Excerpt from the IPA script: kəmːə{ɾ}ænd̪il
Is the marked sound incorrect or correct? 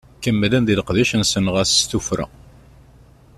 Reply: incorrect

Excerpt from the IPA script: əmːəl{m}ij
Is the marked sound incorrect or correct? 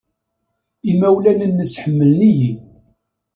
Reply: incorrect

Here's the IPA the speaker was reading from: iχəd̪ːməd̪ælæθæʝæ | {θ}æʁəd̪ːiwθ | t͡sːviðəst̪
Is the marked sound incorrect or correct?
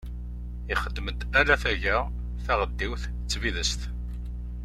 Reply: correct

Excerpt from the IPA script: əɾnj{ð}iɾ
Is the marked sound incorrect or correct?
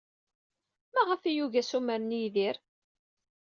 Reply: correct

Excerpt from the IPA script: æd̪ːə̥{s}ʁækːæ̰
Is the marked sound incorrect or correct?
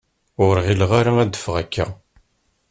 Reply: incorrect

